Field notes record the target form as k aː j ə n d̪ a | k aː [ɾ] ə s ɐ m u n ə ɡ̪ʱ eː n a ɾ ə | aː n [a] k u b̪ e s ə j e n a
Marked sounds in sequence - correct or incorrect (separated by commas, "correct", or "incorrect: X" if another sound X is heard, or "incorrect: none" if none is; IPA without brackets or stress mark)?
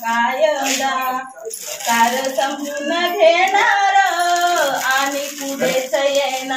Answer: correct, incorrect: i